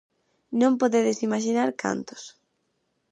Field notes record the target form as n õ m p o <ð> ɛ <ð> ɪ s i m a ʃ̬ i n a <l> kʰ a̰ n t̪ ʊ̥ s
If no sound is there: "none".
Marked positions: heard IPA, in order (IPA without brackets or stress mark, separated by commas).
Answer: ð, ð, ɾ